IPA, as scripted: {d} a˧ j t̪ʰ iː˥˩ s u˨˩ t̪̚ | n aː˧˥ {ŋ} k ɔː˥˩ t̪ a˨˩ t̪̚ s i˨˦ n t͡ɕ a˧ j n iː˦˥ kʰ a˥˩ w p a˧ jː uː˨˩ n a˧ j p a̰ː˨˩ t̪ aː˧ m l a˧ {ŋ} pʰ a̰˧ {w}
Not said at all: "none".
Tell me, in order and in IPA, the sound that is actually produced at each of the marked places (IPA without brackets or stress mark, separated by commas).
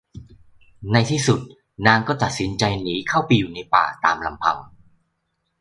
n, ŋ, m, w